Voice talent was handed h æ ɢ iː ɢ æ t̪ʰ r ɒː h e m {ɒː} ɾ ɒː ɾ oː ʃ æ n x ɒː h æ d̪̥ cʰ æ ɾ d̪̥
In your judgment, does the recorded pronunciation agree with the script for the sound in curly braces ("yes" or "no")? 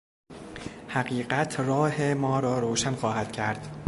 yes